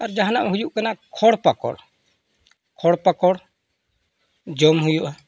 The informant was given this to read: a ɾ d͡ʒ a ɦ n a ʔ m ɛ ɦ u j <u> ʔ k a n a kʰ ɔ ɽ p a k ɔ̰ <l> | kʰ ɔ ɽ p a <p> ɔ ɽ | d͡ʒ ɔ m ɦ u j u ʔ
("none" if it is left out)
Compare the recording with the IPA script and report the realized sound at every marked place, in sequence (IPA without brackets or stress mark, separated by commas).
u, ɽ, k